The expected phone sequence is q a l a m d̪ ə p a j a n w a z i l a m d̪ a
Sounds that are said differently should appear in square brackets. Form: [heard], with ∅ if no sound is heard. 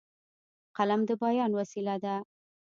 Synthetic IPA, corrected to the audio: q a l a m d̪ ə [b] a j [ɑ] n w a [s] i l a [∅] d̪ a